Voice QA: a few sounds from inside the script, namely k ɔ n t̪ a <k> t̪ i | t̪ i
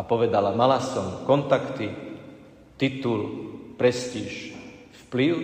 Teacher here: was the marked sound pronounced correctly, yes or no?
yes